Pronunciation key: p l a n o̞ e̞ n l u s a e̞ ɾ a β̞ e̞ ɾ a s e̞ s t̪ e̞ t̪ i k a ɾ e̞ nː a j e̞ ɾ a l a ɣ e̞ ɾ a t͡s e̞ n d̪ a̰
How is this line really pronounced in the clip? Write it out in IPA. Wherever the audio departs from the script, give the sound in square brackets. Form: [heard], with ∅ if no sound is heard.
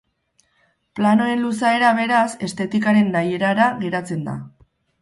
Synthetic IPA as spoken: p l a n o̞ e̞ n l u s a e̞ ɾ a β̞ e̞ ɾ a s e̞ s t̪ e̞ t̪ i k a ɾ e̞ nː a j e̞ ɾ a [ɾ] a ɣ e̞ ɾ a t͡s e̞ n d̪ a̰